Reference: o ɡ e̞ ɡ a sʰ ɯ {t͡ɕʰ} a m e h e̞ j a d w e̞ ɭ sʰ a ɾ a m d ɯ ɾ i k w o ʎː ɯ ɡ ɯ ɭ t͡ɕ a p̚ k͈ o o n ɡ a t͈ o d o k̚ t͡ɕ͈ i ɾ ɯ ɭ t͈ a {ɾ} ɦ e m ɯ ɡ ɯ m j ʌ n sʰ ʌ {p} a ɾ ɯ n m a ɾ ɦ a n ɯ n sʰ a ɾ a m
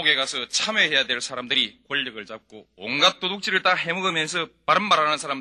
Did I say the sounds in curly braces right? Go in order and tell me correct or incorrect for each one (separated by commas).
correct, incorrect, correct